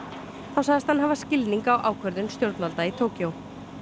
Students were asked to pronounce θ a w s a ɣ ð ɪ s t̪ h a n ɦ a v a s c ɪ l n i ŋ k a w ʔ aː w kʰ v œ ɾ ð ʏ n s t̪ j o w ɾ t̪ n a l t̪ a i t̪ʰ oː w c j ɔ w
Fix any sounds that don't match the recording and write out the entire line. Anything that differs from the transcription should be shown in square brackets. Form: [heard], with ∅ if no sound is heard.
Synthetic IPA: θ a w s a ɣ ð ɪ s t̪ h a n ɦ a v a s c ɪ l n i ŋ k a w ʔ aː w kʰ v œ ɾ ð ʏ n s t̪ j o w ɾ t̪ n a l t̪ a i t̪ʰ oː w c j [o] w